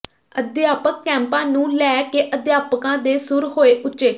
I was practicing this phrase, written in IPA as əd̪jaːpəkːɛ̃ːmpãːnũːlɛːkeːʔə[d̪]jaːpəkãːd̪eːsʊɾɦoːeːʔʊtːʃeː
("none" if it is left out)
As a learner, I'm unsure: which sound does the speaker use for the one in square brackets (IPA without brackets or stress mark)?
d̪